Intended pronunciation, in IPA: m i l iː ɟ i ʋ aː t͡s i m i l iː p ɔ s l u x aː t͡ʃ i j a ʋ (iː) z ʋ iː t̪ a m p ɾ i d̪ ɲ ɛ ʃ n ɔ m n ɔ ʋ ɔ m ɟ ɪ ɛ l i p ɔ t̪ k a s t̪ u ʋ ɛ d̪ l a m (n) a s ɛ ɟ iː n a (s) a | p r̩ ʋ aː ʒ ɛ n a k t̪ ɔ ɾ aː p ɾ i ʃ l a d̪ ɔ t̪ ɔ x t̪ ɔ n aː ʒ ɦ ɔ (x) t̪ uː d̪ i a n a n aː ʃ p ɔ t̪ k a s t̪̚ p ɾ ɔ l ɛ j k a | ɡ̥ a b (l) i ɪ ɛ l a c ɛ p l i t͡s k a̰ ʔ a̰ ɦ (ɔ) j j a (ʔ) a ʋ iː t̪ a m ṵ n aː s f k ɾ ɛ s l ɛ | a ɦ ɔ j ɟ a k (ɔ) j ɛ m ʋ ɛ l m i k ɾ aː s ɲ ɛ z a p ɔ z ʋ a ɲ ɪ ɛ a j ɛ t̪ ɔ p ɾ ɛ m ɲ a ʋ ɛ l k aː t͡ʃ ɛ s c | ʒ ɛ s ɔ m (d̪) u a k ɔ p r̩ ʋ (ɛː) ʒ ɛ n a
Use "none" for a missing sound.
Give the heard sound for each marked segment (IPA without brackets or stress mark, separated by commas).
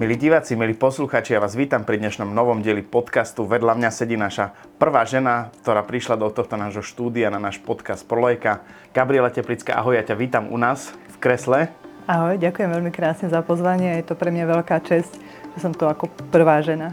aː, ɲ, ʃ, ʃ, ɾ, ɔ, c, u, t̪, aː